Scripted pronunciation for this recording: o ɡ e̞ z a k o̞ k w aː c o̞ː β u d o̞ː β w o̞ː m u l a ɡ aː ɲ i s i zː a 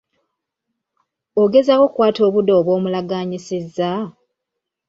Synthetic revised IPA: o ɡ e̞ z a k o̞ k w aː t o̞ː β u d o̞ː β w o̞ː m u l a ɡ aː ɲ i s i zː a